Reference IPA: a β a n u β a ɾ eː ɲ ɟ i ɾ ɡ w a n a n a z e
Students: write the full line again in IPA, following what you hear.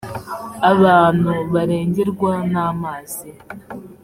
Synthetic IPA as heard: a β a n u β a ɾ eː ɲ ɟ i ɾ ɡ w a n a m a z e